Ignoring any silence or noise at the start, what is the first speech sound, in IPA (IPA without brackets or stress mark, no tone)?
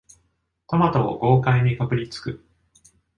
t̪